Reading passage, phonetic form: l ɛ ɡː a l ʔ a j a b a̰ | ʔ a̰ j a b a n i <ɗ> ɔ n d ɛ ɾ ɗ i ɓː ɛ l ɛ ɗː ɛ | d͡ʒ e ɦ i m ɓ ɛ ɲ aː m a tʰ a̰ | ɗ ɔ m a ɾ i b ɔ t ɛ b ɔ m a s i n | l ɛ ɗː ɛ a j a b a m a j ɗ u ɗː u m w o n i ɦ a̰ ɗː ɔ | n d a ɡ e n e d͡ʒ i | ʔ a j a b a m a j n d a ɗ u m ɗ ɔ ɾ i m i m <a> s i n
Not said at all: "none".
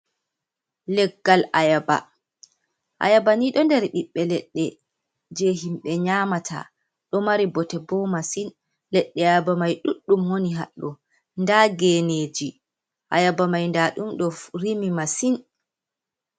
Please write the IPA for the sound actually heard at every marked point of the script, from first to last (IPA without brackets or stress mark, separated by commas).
ɗ, a